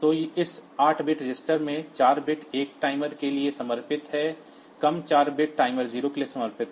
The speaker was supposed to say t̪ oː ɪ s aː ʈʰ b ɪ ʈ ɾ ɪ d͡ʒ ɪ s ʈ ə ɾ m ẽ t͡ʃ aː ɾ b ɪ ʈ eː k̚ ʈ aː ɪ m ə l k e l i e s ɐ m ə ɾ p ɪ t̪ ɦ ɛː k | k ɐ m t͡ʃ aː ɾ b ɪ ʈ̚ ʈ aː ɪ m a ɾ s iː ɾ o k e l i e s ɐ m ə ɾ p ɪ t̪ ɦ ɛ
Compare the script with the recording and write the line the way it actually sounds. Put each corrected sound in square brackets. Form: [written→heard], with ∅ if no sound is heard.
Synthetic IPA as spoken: t̪ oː ɪ s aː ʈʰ b ɪ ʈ ɾ ɪ d͡ʒ ɪ s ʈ ə ɾ m ẽ t͡ʃ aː ɾ b ɪ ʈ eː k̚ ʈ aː ɪ m ə [l→ɾ] k e l i e s ɐ m ə ɾ p ɪ t̪ ɦ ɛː [k→∅] | k ɐ m t͡ʃ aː ɾ b ɪ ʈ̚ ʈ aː ɪ m [a→ə] ɾ [s→z] iː ɾ o k e l i e s ɐ m ə ɾ p ɪ t̪ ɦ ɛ